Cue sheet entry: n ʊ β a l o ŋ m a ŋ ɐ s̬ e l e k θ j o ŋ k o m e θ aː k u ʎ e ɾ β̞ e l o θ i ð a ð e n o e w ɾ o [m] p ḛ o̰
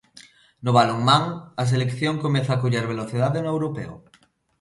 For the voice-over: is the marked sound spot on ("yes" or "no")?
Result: no